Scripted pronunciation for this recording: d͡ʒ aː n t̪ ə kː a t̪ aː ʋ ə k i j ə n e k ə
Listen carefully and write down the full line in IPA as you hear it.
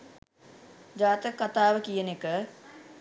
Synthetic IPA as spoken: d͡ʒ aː t̪ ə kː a t̪ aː ʋ ə k i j ə n e k ə